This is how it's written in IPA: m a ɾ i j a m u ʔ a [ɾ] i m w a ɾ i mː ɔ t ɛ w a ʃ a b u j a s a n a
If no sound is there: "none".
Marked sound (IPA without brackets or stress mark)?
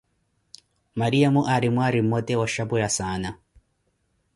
ɾ